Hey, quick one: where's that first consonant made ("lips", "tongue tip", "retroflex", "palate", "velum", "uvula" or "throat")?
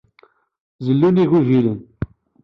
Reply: tongue tip